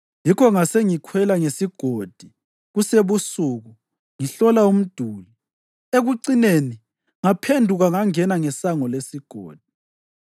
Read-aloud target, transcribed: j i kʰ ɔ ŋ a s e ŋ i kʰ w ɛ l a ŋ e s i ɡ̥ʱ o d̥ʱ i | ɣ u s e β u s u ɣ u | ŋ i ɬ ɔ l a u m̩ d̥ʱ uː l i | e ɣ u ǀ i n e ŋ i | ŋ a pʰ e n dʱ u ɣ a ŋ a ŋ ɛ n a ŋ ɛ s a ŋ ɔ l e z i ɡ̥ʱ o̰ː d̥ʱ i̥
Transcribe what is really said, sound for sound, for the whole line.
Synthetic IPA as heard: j i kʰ ɔ ŋ a s e ŋ i kʰ w ɛ l a ŋ e s i ɡ̥ʱ o d̥ʱ i | ɣ u s e β u s u ɣ u | ŋ i ɬ ɔ l a u m̩ d̥ʱ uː l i | e ɣ u ǀ i n e n i | ŋ a pʰ e n dʱ u ɣ a ŋ a ŋ ɛ n a ŋ ɛ s a ŋ ɔ l e s i ɡ̥ʱ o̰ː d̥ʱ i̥